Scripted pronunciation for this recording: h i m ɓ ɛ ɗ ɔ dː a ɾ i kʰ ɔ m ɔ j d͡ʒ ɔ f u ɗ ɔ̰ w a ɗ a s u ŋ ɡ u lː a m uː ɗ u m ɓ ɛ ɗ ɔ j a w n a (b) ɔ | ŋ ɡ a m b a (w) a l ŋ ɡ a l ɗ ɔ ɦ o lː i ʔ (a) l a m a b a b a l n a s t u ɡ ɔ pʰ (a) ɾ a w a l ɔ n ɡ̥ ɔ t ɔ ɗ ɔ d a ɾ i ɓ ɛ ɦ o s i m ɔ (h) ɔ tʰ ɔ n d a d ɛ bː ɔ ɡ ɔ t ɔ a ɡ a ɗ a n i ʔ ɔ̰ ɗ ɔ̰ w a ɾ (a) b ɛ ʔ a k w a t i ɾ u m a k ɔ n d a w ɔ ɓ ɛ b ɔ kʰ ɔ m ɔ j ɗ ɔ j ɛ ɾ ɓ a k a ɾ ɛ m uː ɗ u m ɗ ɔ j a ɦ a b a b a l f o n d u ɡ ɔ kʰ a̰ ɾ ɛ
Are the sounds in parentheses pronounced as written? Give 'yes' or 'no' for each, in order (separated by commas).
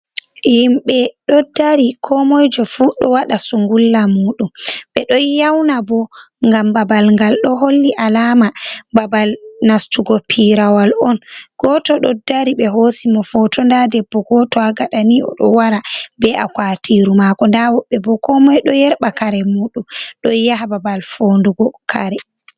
yes, no, yes, no, no, yes